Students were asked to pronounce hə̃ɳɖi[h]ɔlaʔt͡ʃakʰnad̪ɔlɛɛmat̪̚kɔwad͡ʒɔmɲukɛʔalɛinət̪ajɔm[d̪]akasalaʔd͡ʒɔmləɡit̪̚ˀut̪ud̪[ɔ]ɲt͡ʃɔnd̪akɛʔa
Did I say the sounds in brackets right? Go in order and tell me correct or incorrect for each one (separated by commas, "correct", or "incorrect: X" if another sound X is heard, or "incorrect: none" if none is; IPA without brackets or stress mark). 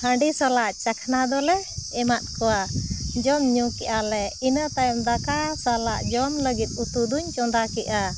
incorrect: s, correct, incorrect: u